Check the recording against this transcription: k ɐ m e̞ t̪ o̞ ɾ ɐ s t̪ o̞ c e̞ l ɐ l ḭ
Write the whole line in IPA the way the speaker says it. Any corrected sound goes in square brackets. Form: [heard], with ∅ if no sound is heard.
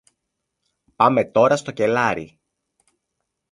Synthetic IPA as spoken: [p] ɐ m e̞ t̪ o̞ ɾ ɐ s t̪ o̞ c e̞ l ɐ [ɾ] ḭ